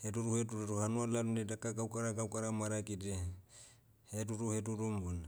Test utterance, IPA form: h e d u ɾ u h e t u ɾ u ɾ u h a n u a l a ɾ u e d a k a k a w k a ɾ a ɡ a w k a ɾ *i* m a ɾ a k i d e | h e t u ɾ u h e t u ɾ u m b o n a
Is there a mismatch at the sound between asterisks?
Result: yes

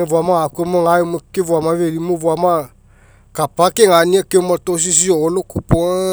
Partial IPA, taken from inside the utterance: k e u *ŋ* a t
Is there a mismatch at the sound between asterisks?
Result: yes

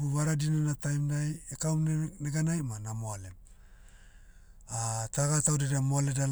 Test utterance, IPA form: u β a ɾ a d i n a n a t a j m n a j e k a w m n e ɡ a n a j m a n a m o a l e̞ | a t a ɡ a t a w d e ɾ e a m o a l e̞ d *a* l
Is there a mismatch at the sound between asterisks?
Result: no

